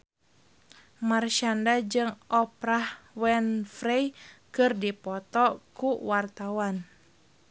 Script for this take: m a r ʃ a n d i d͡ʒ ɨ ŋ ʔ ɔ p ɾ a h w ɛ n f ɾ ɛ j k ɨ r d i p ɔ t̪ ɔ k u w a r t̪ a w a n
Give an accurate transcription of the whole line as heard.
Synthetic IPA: m a r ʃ a n d a d͡ʒ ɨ ŋ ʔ ɔ p ɾ a h w ɛ n f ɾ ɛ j k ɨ r d i p ɔ t̪ ɔ k u w a r t̪ a w a n